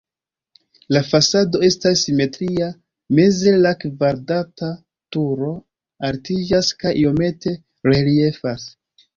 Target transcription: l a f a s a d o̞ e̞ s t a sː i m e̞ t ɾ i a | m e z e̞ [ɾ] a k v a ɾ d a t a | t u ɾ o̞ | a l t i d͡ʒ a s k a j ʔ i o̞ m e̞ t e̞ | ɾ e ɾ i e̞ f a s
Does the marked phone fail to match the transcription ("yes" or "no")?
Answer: yes